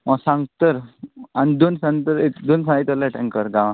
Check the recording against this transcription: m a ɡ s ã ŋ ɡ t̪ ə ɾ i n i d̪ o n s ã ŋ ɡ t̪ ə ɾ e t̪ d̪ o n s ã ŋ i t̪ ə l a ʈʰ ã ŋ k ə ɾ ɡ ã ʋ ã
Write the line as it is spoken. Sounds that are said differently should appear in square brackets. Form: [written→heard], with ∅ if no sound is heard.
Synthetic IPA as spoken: m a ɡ s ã ŋ ɡ t̪ ə ɾ [i→a] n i d̪ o n s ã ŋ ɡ t̪ ə ɾ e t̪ d̪ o n s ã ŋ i t̪ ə l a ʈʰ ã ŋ k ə ɾ ɡ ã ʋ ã